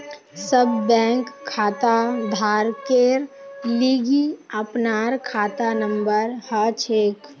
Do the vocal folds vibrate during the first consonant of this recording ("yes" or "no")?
no